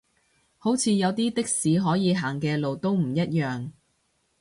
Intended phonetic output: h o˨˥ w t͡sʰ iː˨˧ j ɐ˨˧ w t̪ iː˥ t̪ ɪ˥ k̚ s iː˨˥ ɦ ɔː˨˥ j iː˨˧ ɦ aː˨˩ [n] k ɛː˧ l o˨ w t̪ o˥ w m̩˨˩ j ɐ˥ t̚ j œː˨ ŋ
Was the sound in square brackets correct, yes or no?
no